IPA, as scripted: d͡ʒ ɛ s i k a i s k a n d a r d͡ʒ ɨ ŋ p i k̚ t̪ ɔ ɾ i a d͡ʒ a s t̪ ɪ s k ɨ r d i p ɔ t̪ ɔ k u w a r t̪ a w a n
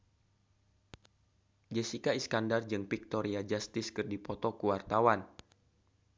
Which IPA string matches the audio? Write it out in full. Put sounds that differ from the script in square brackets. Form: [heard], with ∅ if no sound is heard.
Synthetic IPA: d͡ʒ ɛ s i k a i s k a n d a r d͡ʒ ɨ ŋ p i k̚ t̪ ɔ ɾ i a d͡ʒ a s t̪ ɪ s k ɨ r d i p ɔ t̪ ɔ k u w a r t̪ a w a n